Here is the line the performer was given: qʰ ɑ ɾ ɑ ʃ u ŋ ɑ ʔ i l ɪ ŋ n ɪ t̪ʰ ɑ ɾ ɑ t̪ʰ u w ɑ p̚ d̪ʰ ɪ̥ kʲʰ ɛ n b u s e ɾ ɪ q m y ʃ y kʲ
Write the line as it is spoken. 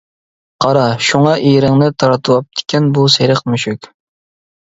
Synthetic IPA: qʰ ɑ ɾ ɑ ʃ u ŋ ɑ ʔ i ɾ ɪ ŋ n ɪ t̪ʰ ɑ ɾ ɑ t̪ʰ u w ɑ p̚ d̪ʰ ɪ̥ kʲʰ ɛ n b u s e ɾ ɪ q m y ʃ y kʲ